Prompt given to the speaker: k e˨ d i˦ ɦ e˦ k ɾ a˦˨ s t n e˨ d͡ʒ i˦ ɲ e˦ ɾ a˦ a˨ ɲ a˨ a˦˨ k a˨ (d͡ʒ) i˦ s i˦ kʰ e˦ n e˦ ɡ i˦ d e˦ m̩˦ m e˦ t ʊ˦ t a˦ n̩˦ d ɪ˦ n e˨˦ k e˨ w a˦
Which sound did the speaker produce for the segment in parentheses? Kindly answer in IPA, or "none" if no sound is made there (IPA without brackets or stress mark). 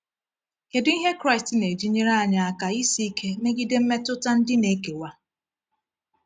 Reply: none